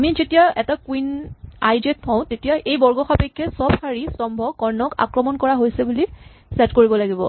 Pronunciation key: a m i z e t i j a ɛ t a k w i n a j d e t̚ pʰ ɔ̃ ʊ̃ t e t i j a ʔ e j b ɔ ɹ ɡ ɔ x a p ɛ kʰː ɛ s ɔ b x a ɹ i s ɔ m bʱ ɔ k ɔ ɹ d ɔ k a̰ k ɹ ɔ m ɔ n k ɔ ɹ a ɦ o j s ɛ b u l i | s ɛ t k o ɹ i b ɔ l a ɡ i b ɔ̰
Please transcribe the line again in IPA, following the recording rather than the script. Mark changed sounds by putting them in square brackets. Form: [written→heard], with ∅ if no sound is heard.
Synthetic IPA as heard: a m i z e t i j a ɛ t a k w i n a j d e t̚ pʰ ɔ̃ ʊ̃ t e t i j a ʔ e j b ɔ ɹ ɡ ɔ x a p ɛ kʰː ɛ s ɔ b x a ɹ i s ɔ m bʱ ɔ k ɔ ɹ [d→n] ɔ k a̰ k ɹ ɔ m ɔ n k ɔ ɹ a ɦ o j s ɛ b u l i | s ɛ t k o ɹ i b ɔ l a ɡ i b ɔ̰